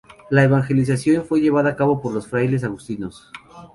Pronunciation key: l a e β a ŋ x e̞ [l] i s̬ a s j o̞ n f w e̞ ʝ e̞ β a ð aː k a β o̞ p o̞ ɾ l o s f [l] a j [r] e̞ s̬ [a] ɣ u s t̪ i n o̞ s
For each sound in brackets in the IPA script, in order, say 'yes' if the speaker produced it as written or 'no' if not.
yes, no, no, yes

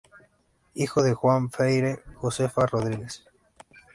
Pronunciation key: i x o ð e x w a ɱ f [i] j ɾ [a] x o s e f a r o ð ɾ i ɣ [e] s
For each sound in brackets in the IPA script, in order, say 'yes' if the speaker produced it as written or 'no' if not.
no, no, yes

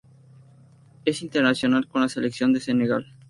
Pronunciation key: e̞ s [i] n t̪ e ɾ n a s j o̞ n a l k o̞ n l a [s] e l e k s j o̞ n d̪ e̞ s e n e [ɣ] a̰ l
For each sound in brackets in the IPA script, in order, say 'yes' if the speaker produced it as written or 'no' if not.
yes, yes, yes

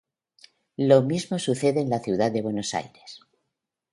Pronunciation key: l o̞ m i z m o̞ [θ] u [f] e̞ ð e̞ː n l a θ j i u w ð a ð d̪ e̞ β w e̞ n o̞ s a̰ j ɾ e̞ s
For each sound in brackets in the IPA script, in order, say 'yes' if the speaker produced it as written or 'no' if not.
no, no

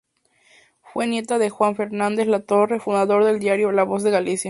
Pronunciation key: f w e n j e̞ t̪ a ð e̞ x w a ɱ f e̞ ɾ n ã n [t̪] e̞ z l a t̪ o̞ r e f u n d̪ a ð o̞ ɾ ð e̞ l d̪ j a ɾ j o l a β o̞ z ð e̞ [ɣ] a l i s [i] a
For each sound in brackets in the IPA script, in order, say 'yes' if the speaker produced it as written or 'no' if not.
no, yes, no

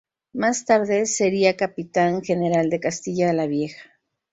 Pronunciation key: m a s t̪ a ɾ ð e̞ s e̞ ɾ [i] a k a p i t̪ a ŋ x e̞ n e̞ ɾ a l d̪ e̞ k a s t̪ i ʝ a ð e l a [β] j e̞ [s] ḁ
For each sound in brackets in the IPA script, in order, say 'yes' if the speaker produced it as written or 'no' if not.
yes, yes, no

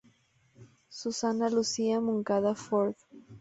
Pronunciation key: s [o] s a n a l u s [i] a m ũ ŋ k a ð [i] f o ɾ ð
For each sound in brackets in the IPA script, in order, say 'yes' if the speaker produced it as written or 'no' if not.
no, yes, no

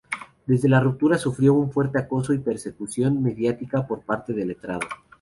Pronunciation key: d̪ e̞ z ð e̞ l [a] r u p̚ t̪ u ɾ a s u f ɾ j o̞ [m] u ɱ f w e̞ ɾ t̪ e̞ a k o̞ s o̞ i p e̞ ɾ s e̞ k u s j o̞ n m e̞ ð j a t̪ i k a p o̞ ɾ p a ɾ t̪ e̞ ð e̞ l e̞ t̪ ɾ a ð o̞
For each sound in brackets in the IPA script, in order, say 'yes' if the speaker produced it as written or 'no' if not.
yes, no

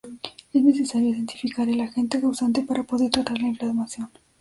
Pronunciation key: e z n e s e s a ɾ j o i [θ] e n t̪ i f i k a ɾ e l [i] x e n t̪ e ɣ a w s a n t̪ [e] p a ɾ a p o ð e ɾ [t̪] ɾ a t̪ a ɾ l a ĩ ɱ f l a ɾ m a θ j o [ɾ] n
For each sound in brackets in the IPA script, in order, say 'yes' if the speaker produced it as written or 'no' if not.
no, no, yes, yes, no

